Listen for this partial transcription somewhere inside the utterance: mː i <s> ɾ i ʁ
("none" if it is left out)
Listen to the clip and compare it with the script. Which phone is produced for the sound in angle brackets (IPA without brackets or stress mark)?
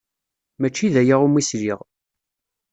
s